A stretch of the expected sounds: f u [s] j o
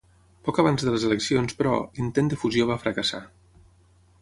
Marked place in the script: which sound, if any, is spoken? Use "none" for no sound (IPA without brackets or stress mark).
z